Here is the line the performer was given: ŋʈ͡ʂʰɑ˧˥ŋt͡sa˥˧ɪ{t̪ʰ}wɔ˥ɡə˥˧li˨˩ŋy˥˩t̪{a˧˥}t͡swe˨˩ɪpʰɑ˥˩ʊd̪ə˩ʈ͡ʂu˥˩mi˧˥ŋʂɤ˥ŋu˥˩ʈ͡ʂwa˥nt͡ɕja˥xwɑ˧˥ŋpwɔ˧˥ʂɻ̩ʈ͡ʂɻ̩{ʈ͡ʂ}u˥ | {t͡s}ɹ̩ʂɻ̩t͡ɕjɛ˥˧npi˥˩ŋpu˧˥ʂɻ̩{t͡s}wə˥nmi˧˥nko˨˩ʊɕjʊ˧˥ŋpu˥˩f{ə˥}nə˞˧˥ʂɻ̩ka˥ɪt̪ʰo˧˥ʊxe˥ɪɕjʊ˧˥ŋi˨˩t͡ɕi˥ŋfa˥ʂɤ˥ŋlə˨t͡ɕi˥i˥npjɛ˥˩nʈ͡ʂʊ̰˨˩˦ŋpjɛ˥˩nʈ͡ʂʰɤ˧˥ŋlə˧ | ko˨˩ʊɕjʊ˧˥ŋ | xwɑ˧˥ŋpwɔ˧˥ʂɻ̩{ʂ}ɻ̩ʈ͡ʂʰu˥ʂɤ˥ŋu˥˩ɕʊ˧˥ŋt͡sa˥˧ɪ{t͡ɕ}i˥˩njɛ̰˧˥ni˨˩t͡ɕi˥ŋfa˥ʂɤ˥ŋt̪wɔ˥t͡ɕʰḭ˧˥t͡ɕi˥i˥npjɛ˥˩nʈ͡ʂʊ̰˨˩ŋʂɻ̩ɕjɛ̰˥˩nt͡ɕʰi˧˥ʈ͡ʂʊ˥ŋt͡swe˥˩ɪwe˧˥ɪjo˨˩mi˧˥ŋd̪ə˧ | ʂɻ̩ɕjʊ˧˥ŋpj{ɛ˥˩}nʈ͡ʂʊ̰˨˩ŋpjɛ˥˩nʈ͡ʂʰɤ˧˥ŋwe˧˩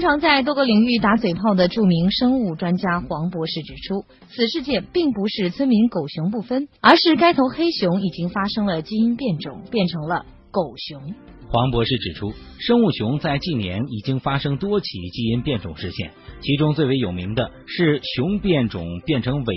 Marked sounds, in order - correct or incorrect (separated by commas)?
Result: incorrect, correct, incorrect, incorrect, incorrect, correct, incorrect, correct, correct